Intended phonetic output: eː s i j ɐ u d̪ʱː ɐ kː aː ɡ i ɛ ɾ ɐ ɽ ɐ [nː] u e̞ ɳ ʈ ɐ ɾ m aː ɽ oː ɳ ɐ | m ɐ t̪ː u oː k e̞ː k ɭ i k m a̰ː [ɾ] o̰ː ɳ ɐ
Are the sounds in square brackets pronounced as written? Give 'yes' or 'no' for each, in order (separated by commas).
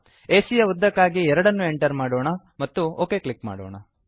yes, no